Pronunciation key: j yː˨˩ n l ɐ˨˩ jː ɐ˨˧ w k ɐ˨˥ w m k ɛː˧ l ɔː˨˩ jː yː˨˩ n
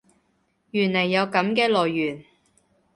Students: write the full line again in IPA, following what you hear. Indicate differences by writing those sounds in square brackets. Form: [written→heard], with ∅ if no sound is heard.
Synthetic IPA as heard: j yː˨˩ n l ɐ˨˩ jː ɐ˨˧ w k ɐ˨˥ [w→∅] m k ɛː˧ l ɔː˨˩ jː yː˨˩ n